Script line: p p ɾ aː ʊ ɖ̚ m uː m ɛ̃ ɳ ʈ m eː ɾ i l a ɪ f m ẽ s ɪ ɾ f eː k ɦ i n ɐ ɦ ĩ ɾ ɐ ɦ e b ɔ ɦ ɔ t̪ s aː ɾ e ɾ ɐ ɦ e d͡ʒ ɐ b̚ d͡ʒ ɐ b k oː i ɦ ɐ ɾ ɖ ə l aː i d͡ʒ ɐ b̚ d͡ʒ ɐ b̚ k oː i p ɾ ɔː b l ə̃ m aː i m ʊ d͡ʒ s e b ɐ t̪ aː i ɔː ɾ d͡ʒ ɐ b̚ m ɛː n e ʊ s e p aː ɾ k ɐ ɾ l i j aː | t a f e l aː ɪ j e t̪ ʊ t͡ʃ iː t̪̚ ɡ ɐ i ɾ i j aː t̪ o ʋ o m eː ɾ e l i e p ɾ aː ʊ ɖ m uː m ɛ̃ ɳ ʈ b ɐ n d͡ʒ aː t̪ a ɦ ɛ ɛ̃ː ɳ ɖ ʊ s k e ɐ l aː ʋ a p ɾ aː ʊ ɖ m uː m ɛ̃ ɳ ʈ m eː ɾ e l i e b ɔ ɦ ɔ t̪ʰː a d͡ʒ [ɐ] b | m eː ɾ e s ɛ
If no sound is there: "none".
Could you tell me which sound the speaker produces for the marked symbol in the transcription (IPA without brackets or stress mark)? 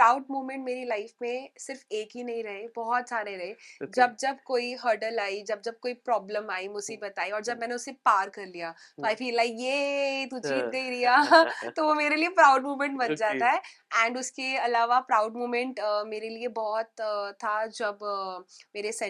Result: ɐ